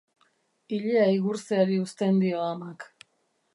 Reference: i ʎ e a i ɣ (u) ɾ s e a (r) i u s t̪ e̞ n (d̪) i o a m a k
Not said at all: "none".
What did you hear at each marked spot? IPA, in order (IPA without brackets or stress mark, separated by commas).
u, ɾ, d̪